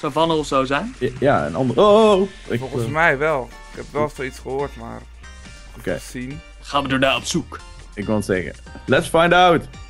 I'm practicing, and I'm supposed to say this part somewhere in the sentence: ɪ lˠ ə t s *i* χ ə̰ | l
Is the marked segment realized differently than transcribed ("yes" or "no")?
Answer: yes